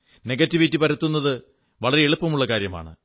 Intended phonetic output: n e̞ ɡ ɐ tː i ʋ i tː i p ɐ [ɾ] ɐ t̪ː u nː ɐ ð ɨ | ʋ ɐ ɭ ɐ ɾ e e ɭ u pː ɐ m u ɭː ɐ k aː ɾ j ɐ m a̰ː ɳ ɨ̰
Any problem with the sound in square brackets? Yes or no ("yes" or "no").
no